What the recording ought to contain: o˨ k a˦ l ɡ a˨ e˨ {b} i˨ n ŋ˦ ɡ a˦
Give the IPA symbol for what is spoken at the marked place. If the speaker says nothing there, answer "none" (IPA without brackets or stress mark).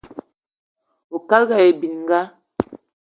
b